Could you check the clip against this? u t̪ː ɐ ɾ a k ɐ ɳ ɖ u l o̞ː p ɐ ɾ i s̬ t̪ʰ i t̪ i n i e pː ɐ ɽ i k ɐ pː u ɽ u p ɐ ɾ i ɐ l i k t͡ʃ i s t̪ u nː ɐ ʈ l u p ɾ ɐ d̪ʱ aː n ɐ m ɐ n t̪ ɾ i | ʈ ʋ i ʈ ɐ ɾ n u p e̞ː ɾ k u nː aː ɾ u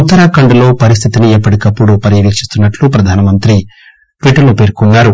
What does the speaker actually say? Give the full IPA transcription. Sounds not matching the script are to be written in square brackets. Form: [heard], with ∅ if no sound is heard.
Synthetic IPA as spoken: u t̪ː ɐ ɾ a k ɐ ɳ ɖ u l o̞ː p ɐ ɾ i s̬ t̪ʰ i t̪ i n i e pː ɐ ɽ i k ɐ pː u ɽ u p ɐ ɾ [j] ɐ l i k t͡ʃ i s t̪ u nː ɐ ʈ l u p ɾ ɐ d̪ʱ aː n ɐ m ɐ n t̪ ɾ i | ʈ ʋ i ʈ ɐ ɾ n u p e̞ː ɾ k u nː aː ɾ u